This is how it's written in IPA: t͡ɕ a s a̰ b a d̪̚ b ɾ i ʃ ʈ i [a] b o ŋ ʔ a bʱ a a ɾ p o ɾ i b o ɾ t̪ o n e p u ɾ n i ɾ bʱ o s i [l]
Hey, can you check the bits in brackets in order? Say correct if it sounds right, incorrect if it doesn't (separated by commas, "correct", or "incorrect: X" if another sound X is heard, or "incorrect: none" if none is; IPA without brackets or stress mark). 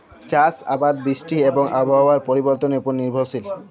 incorrect: e, correct